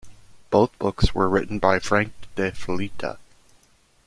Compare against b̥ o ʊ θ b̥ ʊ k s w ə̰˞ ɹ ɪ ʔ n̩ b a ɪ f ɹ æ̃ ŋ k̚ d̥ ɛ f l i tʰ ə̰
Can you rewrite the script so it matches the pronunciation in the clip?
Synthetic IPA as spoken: b̥ o ʊ θ b̥ ʊ k s w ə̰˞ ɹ ɪ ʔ n̩ b a ɪ f ɹ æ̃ ŋ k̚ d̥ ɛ f l i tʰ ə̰